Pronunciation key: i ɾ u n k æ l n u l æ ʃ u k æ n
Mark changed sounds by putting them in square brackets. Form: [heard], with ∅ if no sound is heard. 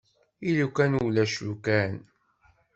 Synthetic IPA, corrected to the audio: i [l] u [∅] k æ [∅] n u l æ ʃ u k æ n